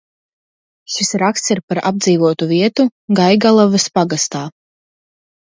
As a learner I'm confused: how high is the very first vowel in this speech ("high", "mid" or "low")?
high